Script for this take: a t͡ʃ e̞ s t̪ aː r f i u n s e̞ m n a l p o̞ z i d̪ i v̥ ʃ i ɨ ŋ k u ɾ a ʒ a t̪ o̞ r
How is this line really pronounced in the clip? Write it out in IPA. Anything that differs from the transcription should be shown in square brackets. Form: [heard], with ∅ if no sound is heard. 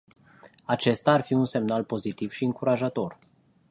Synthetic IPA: a t͡ʃ e̞ s t̪ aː r f i u n s e̞ m n a l p o̞ z i [t̪] i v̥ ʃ i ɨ ŋ k u ɾ a ʒ a t̪ o̞ r